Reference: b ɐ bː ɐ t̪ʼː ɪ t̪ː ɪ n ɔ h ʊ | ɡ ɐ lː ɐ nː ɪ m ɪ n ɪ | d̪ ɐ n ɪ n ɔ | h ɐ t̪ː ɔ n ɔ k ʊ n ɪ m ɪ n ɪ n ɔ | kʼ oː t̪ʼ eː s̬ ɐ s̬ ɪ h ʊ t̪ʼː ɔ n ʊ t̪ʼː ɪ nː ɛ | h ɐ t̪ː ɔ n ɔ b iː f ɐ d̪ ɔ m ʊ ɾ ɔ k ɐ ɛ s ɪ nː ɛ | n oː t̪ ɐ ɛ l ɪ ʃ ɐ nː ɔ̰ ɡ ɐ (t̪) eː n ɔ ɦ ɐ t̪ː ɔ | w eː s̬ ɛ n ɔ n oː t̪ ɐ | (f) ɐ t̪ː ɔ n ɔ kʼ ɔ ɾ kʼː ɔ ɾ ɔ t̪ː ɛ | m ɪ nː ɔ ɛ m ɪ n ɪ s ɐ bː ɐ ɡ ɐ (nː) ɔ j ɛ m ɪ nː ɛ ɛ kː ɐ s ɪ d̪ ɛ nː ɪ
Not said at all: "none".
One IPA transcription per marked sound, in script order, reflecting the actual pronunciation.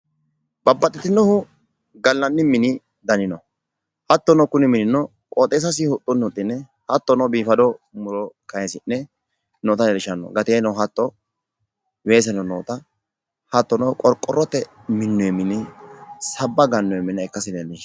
t̪, h, nː

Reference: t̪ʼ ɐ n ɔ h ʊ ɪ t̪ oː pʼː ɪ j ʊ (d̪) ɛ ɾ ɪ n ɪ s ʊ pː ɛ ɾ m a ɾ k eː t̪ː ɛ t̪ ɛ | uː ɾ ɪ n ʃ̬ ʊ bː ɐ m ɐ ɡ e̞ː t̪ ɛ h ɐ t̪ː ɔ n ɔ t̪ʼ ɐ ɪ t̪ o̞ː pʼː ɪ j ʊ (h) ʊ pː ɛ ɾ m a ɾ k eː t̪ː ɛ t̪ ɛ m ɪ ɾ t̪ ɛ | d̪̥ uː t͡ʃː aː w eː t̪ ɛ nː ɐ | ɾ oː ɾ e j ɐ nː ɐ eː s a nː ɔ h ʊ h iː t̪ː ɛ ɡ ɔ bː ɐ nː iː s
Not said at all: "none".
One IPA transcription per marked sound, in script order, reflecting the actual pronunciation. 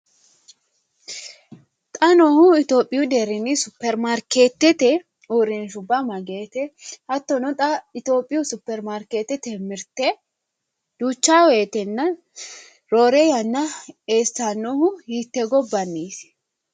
d̪, s

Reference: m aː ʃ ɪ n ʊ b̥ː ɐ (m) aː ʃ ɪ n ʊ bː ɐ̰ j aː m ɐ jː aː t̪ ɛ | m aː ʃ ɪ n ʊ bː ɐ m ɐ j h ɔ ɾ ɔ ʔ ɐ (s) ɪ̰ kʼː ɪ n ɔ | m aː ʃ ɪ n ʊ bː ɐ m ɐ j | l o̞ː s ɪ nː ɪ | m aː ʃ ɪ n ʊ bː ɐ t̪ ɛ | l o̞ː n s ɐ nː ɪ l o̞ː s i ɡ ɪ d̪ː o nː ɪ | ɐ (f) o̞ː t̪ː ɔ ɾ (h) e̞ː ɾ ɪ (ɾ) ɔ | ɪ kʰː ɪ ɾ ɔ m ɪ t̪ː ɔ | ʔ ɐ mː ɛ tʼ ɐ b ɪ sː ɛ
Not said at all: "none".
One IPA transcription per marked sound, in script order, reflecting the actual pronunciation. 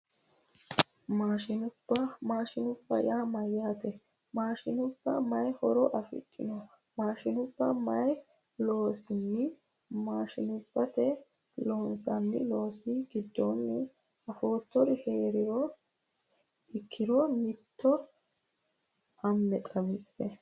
m, f, f, h, ɾ

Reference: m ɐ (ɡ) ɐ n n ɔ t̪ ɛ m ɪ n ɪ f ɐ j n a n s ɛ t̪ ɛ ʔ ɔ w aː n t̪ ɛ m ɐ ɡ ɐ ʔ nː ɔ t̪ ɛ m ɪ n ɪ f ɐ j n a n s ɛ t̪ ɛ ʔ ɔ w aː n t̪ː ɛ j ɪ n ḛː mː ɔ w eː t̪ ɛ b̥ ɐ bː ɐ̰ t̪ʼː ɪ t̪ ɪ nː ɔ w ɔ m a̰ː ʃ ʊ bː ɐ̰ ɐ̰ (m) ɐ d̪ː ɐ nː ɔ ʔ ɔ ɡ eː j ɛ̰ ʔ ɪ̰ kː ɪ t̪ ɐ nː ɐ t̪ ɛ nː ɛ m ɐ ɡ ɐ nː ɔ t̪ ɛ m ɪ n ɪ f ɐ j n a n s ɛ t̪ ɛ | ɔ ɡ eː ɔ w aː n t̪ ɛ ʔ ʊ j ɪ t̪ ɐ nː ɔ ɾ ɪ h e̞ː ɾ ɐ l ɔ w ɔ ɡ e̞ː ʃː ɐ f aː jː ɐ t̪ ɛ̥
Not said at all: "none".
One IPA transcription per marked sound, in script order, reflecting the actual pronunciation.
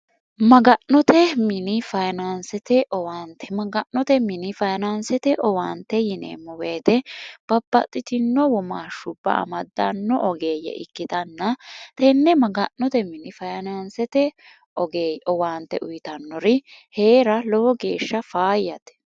ɡ, m

